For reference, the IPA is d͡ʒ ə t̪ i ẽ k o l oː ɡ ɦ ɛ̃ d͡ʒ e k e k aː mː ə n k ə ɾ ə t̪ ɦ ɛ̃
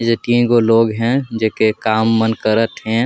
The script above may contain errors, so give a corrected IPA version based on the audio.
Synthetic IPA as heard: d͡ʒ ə t̪ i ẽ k o l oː ɡ ɦ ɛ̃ d͡ʒ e k e k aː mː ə n k ə ɾ ə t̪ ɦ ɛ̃